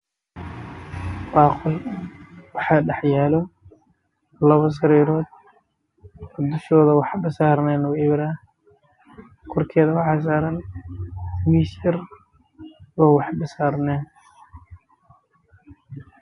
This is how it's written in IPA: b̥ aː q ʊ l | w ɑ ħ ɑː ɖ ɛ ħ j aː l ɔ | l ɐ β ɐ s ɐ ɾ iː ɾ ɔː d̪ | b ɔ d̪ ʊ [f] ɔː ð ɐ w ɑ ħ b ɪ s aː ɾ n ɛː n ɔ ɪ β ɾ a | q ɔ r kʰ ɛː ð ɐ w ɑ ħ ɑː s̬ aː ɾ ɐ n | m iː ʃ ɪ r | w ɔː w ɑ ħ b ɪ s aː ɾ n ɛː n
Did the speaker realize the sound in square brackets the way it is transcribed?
no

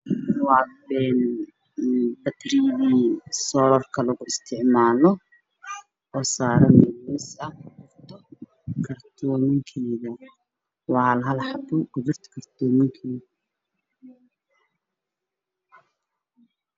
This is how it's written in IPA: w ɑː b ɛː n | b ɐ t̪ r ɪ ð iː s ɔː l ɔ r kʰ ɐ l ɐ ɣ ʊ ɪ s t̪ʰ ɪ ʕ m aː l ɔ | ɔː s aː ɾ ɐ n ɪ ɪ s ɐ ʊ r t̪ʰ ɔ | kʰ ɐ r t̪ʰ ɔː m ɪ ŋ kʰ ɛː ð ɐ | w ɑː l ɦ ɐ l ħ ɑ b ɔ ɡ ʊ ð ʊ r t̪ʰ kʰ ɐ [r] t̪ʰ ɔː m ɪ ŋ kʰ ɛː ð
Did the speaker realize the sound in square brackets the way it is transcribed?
yes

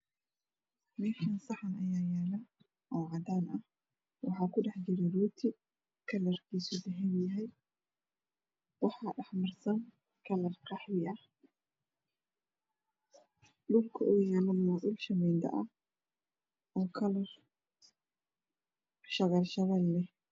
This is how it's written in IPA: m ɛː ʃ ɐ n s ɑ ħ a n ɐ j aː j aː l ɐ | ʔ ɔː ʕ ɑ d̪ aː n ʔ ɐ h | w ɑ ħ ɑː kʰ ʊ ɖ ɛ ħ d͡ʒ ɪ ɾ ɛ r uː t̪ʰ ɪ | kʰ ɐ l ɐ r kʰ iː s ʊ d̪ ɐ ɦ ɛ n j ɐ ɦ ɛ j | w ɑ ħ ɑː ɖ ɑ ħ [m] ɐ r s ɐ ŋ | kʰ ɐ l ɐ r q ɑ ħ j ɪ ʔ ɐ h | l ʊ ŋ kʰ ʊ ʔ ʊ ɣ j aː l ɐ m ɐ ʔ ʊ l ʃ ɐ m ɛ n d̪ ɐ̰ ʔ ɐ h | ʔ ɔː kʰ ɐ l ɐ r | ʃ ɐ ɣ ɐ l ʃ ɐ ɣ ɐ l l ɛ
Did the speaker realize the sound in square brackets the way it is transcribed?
yes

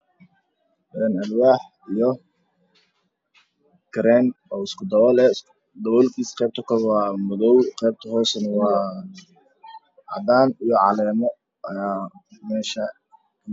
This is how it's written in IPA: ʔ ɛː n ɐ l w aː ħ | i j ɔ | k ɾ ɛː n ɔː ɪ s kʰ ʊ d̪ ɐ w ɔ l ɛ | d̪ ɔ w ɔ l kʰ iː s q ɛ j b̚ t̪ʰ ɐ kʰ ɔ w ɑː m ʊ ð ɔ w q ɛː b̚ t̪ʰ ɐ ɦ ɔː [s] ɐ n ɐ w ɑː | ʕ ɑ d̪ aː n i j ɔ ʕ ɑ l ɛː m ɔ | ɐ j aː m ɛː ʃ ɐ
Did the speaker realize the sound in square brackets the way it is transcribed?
yes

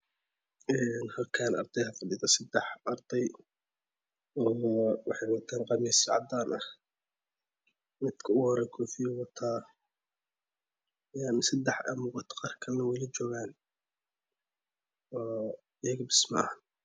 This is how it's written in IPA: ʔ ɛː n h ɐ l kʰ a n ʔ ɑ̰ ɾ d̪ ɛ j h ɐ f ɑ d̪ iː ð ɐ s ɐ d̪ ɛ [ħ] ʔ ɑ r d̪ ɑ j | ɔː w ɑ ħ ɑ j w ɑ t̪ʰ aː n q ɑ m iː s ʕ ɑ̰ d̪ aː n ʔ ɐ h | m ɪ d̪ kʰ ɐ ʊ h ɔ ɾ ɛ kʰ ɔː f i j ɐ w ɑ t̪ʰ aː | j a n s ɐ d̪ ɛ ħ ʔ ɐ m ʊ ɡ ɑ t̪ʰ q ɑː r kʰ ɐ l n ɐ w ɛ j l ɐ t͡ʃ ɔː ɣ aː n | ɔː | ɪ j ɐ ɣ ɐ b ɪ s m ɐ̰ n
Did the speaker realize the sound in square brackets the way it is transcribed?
yes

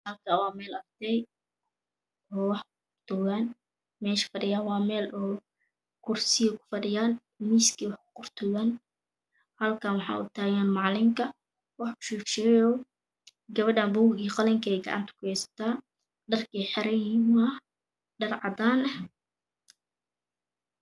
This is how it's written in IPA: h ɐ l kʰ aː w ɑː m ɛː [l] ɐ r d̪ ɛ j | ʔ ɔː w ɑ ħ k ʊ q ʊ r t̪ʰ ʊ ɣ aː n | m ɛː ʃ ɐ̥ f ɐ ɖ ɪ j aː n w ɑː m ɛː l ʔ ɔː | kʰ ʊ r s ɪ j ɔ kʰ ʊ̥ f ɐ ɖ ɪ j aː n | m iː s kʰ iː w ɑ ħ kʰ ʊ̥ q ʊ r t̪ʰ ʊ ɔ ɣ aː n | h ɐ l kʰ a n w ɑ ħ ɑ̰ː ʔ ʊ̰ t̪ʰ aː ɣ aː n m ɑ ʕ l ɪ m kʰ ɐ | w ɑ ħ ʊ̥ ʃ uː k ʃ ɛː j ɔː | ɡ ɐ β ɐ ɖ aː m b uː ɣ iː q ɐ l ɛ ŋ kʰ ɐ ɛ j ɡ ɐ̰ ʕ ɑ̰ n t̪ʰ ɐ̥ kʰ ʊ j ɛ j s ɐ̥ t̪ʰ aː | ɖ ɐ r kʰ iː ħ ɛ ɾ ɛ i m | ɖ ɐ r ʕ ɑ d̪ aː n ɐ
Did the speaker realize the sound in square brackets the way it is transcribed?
yes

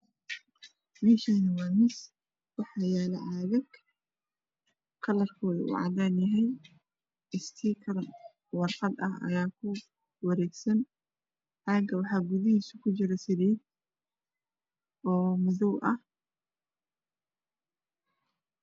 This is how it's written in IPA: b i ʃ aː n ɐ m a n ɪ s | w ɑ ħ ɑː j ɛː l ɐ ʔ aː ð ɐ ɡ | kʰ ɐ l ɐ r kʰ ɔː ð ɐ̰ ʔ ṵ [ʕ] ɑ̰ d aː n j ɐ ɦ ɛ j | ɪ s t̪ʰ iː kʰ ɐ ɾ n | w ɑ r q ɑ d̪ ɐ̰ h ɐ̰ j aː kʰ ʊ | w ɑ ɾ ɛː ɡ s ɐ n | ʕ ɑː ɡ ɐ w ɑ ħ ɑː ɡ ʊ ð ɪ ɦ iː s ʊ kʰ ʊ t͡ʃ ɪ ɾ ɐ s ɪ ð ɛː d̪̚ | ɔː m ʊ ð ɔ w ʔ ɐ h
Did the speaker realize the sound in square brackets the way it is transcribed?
yes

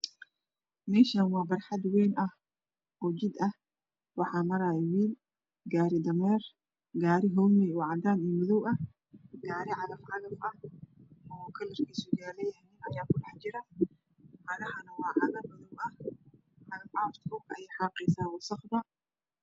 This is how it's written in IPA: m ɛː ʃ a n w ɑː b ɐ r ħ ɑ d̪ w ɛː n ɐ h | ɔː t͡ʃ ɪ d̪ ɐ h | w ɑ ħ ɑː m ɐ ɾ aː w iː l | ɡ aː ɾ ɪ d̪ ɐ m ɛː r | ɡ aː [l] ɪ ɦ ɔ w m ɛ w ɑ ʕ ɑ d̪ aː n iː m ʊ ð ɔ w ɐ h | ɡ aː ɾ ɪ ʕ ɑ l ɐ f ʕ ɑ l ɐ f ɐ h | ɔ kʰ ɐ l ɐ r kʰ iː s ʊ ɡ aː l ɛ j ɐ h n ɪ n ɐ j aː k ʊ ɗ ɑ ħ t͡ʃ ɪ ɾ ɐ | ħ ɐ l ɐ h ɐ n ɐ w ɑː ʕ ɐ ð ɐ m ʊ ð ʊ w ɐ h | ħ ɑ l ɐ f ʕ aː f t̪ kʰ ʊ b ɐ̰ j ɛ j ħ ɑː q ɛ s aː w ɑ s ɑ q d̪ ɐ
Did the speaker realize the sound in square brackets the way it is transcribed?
no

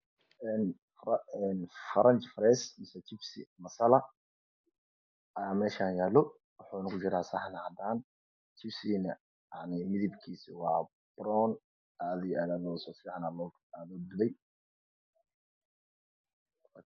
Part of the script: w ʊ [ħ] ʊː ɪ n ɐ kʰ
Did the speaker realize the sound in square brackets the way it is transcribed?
yes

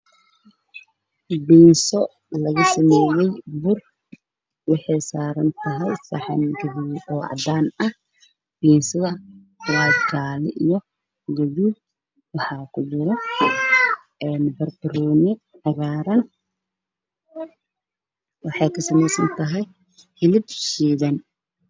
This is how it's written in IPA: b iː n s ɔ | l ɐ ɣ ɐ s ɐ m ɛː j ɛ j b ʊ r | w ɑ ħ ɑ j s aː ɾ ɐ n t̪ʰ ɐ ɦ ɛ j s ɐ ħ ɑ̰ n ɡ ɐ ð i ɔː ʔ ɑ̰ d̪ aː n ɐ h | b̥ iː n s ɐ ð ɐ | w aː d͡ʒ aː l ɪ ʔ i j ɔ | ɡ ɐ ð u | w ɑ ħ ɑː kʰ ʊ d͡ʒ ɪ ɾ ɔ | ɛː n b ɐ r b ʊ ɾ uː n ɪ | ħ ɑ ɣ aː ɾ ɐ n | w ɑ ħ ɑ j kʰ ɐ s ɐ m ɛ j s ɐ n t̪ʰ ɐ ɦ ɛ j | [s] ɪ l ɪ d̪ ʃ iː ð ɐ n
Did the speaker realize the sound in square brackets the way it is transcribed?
no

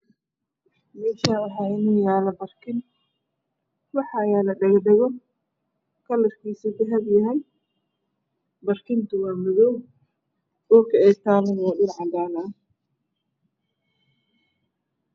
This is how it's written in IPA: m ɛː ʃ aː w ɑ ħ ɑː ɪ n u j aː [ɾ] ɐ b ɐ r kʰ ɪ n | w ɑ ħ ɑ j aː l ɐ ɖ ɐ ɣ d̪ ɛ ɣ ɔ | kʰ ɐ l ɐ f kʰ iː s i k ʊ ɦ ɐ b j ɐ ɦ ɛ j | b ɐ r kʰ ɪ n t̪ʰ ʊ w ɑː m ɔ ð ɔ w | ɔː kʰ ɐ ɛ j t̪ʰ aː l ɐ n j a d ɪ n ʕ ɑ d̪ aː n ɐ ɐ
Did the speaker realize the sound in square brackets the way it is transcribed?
no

